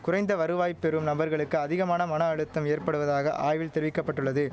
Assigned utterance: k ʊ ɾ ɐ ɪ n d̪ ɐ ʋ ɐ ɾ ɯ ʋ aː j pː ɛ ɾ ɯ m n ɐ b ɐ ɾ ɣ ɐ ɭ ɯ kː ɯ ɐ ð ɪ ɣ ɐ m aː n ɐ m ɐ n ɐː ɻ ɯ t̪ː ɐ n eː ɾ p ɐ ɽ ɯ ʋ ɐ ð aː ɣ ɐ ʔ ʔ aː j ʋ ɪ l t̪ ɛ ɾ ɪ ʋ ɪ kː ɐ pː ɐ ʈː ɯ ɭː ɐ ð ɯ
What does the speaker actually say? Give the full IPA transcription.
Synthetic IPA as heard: k ʊ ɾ ɐ ɪ n d̪ ɐ ʋ ɐ ɾ ɯ ʋ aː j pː ɛ ɾ ɯ m n ɐ b ɐ ɾ ɣ ɐ ɭ ɯ kː ɯ ɐ ð ɪ ɣ ɐ m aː n ɐ m ɐ n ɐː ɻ ɯ t̪ː ɐ m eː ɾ p ɐ ɽ ɯ ʋ ɐ ð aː ɣ ɐ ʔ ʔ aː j ʋ ɪ l t̪ ɛ ɾ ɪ ʋ ɪ kː ɐ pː ɐ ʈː ɯ ɭː ɐ ð ɯ